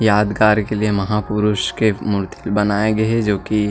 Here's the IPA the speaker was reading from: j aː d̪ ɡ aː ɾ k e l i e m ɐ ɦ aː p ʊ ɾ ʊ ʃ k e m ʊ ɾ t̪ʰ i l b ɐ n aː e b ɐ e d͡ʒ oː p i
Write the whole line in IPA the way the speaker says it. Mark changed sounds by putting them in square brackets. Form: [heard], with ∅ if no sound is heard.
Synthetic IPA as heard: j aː d̪ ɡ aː ɾ k e l i e m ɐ ɦ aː p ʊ ɾ ʊ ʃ k e m ʊ ɾ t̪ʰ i l b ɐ n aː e [ɡ] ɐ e d͡ʒ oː [k] i